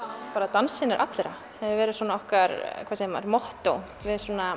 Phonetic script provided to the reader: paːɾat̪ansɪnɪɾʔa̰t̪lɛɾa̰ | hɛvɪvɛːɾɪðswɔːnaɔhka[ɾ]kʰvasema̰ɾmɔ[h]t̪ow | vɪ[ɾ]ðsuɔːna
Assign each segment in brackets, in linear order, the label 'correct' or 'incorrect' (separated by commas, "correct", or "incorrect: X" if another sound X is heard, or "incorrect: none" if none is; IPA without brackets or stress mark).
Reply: correct, correct, incorrect: none